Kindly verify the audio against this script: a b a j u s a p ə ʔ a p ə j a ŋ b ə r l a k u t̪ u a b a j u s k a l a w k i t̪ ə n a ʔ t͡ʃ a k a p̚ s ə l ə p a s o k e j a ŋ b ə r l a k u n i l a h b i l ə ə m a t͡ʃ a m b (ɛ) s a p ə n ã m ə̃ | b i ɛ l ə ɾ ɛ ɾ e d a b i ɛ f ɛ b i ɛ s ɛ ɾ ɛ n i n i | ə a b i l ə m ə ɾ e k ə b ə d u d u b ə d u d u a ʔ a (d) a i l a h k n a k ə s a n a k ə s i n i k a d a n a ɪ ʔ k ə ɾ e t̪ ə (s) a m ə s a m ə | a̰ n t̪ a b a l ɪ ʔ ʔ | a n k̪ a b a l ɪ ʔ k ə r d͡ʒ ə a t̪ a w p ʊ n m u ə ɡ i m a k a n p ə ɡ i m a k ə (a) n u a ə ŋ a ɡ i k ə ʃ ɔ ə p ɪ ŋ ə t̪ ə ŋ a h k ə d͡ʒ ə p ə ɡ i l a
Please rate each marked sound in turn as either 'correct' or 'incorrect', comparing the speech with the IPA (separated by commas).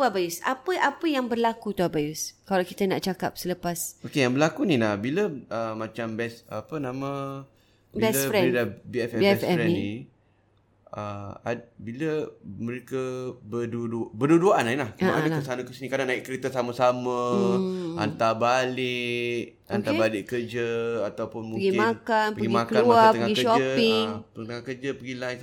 correct, incorrect, correct, correct